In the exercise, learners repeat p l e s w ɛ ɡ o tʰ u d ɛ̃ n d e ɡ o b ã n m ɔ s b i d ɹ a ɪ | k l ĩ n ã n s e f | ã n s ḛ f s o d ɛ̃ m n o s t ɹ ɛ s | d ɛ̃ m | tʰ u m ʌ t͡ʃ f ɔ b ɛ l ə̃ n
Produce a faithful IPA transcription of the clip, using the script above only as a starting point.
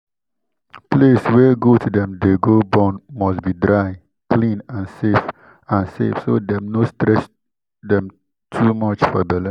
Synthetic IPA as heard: p l e s w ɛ ɡ o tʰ u d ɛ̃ m d e ɡ o b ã n m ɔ s b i d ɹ a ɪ | k l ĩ n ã n s e f | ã n s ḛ f s o d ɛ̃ m n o s t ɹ ɛ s | d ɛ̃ m | tʰ u m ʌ t͡ʃ f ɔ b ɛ l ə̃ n